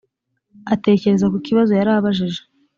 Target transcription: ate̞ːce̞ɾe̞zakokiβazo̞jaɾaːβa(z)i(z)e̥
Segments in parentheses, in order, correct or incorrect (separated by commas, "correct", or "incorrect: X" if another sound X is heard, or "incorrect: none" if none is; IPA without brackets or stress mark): incorrect: ʒ, incorrect: ʒ